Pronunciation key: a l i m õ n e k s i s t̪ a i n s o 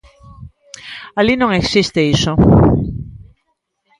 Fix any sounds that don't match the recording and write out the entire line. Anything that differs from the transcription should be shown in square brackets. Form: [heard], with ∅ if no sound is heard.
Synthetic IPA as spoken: a l i [n] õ [ŋ] e k s i s t̪ [e] i [∅] s o